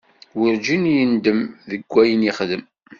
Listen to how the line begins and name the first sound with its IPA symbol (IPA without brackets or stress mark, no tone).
w